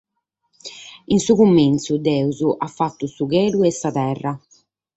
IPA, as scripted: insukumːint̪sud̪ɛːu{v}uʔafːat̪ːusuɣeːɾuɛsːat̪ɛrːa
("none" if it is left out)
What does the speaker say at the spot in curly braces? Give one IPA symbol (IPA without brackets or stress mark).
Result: z